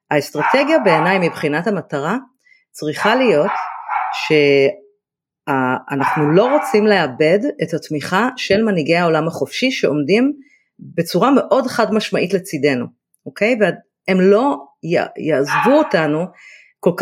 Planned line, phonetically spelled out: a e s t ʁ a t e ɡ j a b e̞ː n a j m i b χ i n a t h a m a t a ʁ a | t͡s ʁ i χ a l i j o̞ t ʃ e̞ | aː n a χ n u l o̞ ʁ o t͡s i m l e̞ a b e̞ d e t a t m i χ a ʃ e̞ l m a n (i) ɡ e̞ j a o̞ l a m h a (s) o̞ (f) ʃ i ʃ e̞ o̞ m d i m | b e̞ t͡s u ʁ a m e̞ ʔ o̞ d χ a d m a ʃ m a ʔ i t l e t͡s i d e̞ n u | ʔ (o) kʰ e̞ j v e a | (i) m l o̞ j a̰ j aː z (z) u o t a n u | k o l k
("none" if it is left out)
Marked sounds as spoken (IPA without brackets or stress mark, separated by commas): i, χ, f, o, e, v